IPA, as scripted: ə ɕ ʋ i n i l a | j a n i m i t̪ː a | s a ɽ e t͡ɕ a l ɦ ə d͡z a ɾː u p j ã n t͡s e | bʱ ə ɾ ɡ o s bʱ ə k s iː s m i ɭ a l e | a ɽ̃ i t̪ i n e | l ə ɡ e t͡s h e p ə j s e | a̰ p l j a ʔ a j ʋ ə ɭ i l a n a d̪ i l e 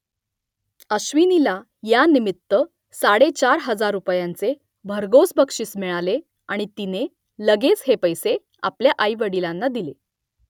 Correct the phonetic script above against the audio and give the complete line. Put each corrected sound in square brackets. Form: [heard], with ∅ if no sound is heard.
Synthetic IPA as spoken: ə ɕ ʋ i n i l a | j a n i m i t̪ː [ə] | s a ɽ e t͡ɕ a [ɾ] ɦ ə d͡z a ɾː u p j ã n t͡s e | bʱ ə ɾ ɡ o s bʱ ə k [ʂ] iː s m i ɭ a l e | a ɽ̃ i t̪ i n e | l ə ɡ e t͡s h e p ə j s e | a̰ p l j a ʔ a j ʋ ə [ɽ] i l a [nː] a d̪ i l e